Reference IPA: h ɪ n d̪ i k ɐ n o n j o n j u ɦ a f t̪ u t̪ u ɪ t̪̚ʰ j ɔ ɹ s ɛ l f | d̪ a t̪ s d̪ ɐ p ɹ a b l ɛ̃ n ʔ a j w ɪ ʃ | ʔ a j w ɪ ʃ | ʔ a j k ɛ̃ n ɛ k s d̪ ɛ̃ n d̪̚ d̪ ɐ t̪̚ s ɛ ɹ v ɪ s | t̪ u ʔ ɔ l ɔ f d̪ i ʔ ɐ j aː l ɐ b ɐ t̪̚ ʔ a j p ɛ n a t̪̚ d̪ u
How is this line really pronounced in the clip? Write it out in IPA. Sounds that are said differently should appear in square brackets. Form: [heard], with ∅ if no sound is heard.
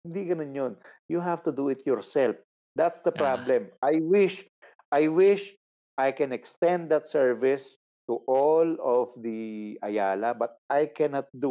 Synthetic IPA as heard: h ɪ n d̪ i k ɐ n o n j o n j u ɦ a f t̪ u [d̪] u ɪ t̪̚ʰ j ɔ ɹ s ɛ l f | d̪ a t̪ s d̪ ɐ p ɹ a b l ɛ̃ [m] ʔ a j w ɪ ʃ | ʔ a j w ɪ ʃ | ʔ a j k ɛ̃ n ɛ k s [t̪] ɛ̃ n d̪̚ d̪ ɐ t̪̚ s ɛ ɹ v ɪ s | t̪ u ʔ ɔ l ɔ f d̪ i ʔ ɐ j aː l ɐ b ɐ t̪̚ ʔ a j [k] ɛ n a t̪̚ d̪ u